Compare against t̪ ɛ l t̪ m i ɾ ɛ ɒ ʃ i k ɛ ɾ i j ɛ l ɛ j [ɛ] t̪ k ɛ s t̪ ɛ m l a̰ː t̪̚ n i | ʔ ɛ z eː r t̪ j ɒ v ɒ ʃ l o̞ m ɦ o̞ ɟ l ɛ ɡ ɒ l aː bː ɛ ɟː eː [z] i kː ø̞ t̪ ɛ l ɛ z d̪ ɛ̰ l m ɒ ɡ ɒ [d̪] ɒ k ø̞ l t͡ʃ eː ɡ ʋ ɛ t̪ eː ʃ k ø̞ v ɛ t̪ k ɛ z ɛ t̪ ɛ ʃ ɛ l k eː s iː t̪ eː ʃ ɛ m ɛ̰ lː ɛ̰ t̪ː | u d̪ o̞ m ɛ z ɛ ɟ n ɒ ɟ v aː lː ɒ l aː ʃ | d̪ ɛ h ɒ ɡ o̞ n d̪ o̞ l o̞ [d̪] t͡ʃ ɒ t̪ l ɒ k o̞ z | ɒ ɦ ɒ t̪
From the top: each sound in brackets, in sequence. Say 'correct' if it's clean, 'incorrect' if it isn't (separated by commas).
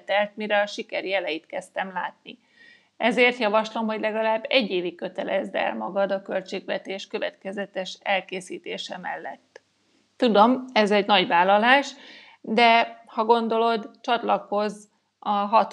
incorrect, incorrect, correct, correct